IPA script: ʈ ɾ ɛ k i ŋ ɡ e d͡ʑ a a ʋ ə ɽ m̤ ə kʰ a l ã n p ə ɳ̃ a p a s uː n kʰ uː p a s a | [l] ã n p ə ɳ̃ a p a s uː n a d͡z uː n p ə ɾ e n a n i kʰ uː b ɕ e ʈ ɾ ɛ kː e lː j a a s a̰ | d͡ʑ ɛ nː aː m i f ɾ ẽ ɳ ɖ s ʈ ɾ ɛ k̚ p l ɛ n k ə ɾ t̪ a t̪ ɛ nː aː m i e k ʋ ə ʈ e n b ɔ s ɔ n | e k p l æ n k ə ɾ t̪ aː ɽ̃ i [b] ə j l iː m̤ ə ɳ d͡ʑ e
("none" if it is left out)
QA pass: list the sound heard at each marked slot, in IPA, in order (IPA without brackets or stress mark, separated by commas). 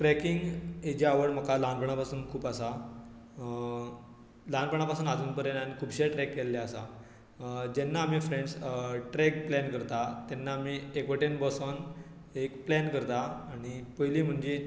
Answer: l, p